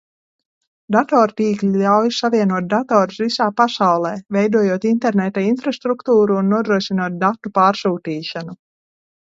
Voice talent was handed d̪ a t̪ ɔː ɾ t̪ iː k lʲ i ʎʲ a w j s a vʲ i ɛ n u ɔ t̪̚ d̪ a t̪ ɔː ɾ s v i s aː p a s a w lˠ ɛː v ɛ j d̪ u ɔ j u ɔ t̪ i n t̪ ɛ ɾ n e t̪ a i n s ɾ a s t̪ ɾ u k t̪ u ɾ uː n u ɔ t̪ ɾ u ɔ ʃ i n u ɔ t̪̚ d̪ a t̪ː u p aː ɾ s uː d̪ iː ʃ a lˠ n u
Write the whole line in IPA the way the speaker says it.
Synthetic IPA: d̪ a t̪ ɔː ɾ t̪ iː k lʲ i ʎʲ a w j s a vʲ i ɛ n u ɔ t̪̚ d̪ a t̪ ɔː ɾ s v i s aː p a s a w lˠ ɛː v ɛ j d̪ u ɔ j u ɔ t̪ i n t̪ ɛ ɾ n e t̪ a i n f ɾ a s t̪ ɾ u k t̪ uː ɾ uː nː u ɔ d̪ ɾ u ɔ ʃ i n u ɔ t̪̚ d̪ a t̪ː u p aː ɾ s uː t̪ iː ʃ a n u